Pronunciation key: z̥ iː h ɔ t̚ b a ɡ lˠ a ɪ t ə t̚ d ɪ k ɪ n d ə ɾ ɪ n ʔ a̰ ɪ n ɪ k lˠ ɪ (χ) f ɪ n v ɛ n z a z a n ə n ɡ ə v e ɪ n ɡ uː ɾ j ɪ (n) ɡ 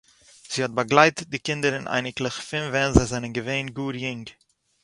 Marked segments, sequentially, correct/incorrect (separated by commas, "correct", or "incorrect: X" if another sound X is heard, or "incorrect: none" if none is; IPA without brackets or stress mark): correct, incorrect: ŋ